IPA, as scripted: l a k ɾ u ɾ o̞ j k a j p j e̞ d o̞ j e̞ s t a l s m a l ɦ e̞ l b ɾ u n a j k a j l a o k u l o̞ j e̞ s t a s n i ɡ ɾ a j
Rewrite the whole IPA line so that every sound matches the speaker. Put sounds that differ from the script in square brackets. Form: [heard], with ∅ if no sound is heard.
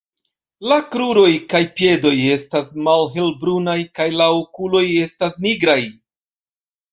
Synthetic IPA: l a k ɾ u ɾ o̞ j k a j p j e̞ d o̞ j e̞ s t a [∅] s m a l ɦ e̞ l b ɾ u n a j k a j l a o k u l o̞ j e̞ s t a s n i ɡ ɾ a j

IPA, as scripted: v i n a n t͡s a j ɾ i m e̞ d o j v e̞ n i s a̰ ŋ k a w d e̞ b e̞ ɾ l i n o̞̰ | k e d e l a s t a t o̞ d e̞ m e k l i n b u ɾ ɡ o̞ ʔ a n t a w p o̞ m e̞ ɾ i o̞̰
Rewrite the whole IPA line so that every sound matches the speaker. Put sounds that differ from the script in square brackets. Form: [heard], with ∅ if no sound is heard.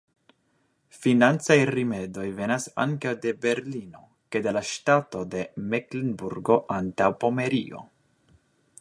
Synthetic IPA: [f] i n a n t͡s a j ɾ i m e̞ d o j v e̞ n [a] s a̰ ŋ k a w d e̞ b e̞ ɾ l i n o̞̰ | k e d e l a [ʃ] t a t o̞ d e̞ m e k l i n b u ɾ ɡ o̞ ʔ a n t a w p o̞ m e̞ ɾ i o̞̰

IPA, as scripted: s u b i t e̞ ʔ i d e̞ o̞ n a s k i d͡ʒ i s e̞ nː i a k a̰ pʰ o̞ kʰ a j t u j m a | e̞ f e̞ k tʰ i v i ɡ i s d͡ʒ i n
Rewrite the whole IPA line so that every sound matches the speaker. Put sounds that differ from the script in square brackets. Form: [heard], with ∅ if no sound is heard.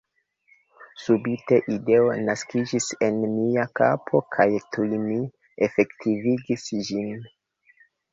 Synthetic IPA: s u b i t e̞ ʔ i d e̞ o̞ n a s k i d͡ʒ i s e̞ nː i a k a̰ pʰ o̞ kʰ a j t u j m [i] | e̞ f e̞ k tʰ i v i ɡ i s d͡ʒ i n

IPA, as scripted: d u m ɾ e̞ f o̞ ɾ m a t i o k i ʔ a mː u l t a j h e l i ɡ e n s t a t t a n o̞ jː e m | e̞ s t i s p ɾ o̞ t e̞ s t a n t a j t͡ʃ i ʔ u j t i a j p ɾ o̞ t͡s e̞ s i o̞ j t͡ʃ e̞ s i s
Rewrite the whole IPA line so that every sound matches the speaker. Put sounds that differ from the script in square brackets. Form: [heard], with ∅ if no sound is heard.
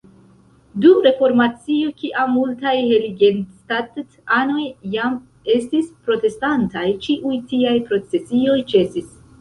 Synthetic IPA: d u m ɾ e̞ f o̞ ɾ m a [t͡s] i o k i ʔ a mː u l t a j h e l i ɡ e n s t a t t a n o̞ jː [a] m | e̞ s t i s p ɾ o̞ t e̞ s t a n t a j t͡ʃ i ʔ u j t i a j p ɾ o̞ t͡s e̞ s i o̞ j t͡ʃ e̞ s i s

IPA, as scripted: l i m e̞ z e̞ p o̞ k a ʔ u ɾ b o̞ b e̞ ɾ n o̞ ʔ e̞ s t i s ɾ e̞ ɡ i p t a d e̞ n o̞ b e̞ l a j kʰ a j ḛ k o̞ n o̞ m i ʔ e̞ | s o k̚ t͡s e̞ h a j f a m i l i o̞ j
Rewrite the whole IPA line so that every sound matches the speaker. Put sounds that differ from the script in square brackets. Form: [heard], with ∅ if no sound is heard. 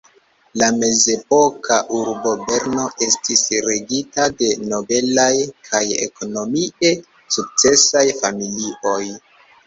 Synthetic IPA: l [a] m e̞ z e̞ p o̞ k a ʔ u ɾ b o̞ b e̞ ɾ n o̞ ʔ e̞ s t i s ɾ e̞ ɡ i [∅] t a d e̞ n o̞ b e̞ l a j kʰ a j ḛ k o̞ n o̞ m i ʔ e̞ | s [u] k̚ t͡s e̞ [s] a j f a m i l i o̞ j

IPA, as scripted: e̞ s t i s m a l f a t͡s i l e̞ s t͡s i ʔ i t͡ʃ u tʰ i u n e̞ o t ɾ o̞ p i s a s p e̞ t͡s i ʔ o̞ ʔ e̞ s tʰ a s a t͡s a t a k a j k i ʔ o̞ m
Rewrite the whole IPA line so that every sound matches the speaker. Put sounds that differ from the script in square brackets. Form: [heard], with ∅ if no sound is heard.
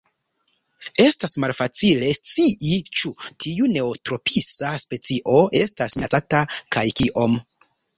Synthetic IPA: e̞ s t [a] s m a l f a t͡s i l e̞ s t͡s i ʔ i t͡ʃ u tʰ i u n e̞ o t ɾ o̞ p i s a s p e̞ t͡s i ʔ o̞ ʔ e̞ s [t] a s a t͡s a t a k a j k i ʔ o̞ m

